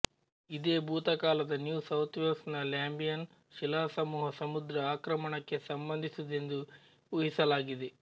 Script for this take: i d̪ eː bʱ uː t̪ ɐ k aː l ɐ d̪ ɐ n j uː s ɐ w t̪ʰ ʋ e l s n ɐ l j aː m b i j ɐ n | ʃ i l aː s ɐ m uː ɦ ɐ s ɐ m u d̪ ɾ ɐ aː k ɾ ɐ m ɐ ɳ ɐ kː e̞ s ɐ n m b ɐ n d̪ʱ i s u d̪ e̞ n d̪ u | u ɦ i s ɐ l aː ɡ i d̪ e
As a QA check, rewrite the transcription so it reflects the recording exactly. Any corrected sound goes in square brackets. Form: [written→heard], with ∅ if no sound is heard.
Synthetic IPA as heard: i d̪ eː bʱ uː t̪ ɐ k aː l ɐ d̪ ɐ n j uː s ɐ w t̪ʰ ʋ e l s n ɐ l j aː m b i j ɐ n | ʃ i l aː s ɐ m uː ɦ ɐ s ɐ m u d̪ ɾ ɐ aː k ɾ ɐ m ɐ ɳ ɐ kː e̞ s ɐ [n→∅] m b ɐ n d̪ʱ i s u d̪ e̞ n d̪ u | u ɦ i s ɐ l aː ɡ i d̪ e

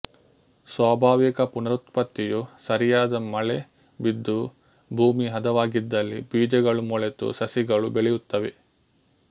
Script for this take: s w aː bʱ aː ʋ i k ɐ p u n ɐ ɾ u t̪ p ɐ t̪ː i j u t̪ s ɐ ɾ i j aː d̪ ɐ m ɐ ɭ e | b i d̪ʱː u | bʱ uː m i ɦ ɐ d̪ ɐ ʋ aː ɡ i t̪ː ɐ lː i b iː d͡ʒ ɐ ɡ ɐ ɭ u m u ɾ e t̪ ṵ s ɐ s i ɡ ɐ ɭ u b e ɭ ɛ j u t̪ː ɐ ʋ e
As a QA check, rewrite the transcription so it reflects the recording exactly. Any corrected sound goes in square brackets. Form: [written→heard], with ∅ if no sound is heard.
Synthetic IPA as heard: s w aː bʱ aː ʋ i k ɐ p u n ɐ ɾ u t̪ p ɐ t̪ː i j u [t̪→∅] s ɐ ɾ i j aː d̪ ɐ m ɐ ɭ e | b i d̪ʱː u | bʱ uː m i ɦ ɐ d̪ ɐ ʋ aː ɡ i [t̪ː→d̪ː] ɐ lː i b iː d͡ʒ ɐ ɡ ɐ ɭ u m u [ɾ→ɭ] e t̪ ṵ s ɐ s i ɡ ɐ ɭ u b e ɭ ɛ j u t̪ː ɐ ʋ e

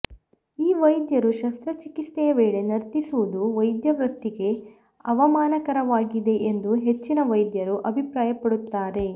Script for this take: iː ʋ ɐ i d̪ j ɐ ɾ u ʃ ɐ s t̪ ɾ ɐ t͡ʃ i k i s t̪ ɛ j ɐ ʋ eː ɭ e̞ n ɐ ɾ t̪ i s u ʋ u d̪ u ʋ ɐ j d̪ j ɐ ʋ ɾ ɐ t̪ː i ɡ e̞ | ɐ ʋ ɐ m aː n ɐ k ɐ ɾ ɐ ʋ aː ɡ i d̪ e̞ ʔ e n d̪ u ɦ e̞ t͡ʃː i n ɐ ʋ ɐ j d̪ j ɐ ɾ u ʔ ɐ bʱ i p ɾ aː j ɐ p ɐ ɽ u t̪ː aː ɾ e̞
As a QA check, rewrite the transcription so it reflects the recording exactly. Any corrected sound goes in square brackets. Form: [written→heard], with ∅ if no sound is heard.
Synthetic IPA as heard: iː ʋ ɐ [i→j] d̪ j ɐ ɾ u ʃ ɐ s t̪ ɾ ɐ t͡ʃ i k i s t̪ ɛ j ɐ ʋ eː ɭ e̞ n ɐ ɾ t̪ i s u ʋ u d̪ u ʋ ɐ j d̪ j ɐ ʋ ɾ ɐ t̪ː i ɡ e̞ | ɐ ʋ ɐ m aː n ɐ k ɐ ɾ ɐ ʋ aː ɡ i d̪ e̞ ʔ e n d̪ u ɦ e̞ t͡ʃː i n ɐ ʋ ɐ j d̪ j ɐ ɾ u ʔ ɐ bʱ i p ɾ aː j ɐ p ɐ ɽ u t̪ː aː ɾ e̞

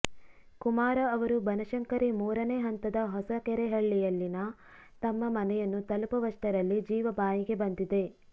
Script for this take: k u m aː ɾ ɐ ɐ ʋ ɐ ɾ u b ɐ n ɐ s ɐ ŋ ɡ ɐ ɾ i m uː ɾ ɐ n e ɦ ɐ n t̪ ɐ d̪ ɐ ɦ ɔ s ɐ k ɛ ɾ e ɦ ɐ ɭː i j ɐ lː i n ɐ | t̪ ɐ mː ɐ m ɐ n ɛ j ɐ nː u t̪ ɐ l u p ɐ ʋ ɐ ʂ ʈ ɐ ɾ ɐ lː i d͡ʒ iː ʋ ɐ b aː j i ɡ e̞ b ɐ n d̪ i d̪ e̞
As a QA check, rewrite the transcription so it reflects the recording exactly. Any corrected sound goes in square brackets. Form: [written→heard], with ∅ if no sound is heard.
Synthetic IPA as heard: k u m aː ɾ ɐ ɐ ʋ ɐ ɾ u b ɐ n ɐ [s→ʃ] ɐ ŋ [ɡ→k] ɐ ɾ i m uː ɾ ɐ n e ɦ ɐ n t̪ ɐ d̪ ɐ ɦ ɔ s ɐ k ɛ ɾ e ɦ ɐ ɭː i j ɐ lː i n ɐ | t̪ ɐ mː ɐ m ɐ n ɛ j ɐ nː u t̪ ɐ l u p ɐ ʋ ɐ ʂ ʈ ɐ ɾ ɐ lː i d͡ʒ iː ʋ ɐ b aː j i ɡ e̞ b ɐ n d̪ i d̪ e̞

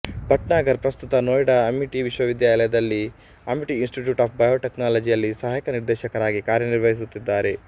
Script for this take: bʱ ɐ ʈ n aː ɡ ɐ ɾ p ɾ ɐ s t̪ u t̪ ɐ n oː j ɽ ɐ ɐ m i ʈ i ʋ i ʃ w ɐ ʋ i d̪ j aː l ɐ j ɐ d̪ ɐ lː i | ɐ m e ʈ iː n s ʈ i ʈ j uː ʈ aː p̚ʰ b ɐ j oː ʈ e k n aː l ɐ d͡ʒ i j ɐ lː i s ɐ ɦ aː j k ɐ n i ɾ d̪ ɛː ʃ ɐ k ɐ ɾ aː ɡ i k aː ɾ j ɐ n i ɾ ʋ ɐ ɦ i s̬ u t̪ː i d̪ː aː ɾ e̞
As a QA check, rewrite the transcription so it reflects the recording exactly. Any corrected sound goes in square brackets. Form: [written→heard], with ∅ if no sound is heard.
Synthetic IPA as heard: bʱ ɐ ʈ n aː ɡ ɐ ɾ p ɾ ɐ s t̪ u t̪ ɐ n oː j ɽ ɐ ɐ m i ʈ i ʋ i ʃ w ɐ ʋ i d̪ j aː l ɐ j ɐ d̪ ɐ lː i | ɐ m [e→i] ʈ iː n s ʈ i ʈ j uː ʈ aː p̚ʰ b ɐ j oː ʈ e k n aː l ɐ d͡ʒ i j ɐ lː i s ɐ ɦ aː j k ɐ n i ɾ d̪ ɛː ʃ ɐ k ɐ ɾ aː ɡ i k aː ɾ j ɐ n i ɾ ʋ ɐ ɦ i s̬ u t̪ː i d̪ː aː ɾ e̞

